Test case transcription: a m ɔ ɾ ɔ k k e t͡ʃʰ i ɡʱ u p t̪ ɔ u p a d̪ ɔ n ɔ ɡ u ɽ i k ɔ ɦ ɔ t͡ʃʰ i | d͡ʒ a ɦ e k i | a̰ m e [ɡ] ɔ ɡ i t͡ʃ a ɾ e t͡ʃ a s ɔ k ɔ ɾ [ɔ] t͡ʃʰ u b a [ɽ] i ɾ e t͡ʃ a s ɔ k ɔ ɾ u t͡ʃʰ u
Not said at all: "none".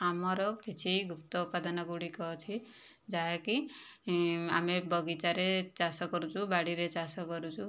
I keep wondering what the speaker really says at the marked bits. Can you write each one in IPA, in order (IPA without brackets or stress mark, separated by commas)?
b, u, ɽ